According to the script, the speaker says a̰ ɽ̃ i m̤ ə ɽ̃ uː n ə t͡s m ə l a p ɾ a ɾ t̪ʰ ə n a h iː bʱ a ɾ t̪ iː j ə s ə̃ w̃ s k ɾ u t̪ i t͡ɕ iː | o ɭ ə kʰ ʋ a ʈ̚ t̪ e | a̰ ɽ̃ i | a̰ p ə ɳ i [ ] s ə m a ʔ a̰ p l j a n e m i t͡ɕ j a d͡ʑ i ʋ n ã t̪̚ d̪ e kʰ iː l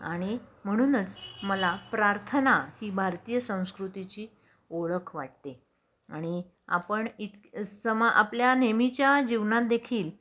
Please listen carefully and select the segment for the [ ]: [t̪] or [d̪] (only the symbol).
t̪